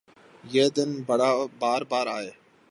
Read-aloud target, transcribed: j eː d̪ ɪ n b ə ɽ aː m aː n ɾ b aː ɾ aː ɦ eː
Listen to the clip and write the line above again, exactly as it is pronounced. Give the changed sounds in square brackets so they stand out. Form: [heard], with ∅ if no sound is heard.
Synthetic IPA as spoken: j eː d̪ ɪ n b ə ɽ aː [b] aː [∅] ɾ b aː ɾ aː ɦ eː